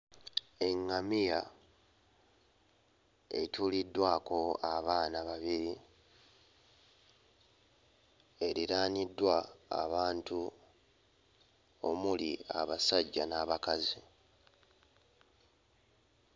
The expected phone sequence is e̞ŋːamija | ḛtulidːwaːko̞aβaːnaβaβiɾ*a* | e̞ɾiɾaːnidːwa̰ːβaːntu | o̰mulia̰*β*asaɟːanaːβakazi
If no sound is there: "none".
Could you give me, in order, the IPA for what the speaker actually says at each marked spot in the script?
i, β

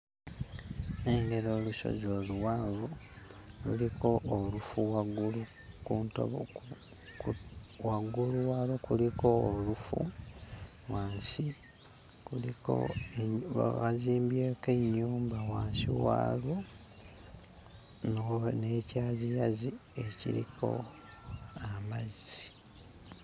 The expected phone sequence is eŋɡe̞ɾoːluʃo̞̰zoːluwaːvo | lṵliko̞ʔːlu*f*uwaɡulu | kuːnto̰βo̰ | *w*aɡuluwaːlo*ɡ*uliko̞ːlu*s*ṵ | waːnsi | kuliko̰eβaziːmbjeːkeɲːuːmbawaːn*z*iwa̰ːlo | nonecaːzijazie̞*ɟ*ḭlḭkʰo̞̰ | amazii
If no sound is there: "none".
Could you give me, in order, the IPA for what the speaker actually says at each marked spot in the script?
f, w, k, f, s, c

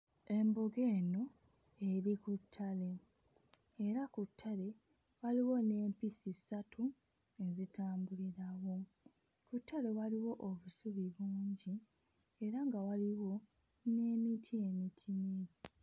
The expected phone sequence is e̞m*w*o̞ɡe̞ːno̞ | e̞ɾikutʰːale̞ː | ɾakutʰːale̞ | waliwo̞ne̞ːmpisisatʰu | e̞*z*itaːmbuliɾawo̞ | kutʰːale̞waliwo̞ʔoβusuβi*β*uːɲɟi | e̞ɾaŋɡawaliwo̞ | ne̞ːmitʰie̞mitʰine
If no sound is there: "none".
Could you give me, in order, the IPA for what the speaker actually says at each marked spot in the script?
b, z, β

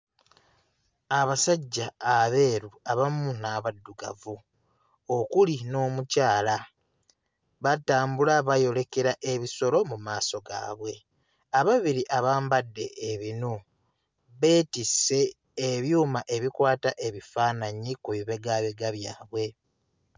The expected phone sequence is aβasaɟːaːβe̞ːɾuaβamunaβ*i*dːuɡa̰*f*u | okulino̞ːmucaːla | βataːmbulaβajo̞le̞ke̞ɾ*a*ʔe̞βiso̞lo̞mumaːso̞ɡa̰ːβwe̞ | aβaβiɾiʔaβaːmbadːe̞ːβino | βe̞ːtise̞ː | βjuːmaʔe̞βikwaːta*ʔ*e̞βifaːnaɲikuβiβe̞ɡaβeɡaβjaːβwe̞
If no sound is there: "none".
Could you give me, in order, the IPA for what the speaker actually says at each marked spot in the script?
a, v, a, ʔ

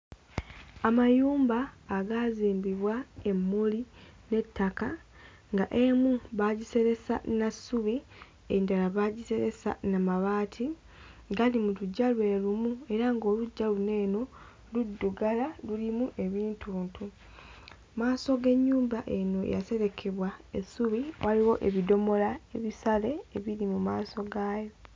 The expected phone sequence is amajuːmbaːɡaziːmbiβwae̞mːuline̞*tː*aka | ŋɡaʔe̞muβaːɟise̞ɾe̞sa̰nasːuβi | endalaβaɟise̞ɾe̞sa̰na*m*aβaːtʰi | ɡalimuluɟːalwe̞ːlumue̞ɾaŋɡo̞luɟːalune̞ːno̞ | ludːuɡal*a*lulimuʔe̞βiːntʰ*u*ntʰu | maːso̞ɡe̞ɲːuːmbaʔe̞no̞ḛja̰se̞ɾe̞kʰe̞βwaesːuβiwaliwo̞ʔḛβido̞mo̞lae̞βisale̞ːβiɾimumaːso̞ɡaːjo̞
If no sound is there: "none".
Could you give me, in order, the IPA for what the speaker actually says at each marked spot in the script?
tː, m, a, uː

